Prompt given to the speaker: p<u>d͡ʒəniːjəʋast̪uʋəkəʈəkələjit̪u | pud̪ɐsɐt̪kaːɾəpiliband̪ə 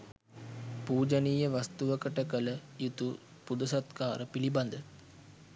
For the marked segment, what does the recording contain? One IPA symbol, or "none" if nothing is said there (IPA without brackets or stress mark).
uː